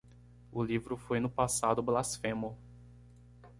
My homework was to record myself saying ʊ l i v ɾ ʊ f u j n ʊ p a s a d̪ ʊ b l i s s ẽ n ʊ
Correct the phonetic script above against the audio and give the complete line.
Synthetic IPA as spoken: ʊ l i v ɾ ʊ f o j n ʊ p a s a d̪ ʊ b l a s f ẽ m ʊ